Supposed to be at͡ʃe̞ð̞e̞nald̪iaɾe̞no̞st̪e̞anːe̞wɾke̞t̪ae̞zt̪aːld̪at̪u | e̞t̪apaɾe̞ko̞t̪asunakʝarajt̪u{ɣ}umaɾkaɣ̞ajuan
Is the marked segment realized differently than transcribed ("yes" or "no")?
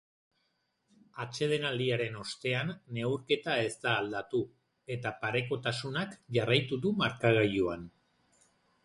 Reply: yes